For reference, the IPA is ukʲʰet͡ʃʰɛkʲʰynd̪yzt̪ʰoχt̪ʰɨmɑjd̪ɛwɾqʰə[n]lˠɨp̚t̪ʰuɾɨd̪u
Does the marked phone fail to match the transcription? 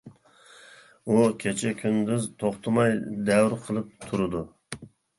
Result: yes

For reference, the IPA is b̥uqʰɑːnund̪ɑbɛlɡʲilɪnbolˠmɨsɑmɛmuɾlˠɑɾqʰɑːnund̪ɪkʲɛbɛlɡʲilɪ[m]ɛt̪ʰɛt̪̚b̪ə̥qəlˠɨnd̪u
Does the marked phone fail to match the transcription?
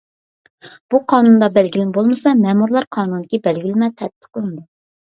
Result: no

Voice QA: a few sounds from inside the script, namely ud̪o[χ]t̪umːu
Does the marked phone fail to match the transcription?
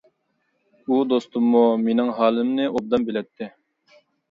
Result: yes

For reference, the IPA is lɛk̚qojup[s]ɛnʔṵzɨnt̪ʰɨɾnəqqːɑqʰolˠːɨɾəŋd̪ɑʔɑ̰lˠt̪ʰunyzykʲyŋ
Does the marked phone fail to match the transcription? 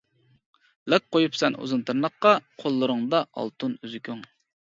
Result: no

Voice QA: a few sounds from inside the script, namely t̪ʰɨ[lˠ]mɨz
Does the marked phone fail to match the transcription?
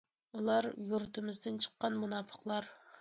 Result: yes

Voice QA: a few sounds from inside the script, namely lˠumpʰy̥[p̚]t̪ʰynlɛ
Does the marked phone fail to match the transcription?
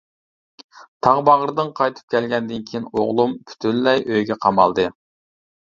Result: yes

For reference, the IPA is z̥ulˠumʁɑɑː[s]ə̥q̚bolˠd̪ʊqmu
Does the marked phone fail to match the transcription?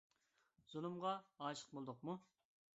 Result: yes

